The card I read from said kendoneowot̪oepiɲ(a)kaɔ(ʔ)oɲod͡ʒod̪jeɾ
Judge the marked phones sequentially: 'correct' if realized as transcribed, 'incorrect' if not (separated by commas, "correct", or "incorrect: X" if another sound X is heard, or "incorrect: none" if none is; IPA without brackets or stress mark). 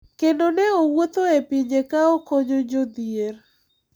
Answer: incorrect: e, incorrect: k